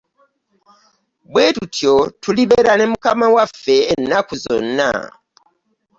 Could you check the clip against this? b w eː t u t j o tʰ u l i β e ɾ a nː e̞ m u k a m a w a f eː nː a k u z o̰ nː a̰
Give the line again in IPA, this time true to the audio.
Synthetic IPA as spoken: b w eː t u t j o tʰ u l i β e ɾ a n e̞ m u k a m a w a f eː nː a k u z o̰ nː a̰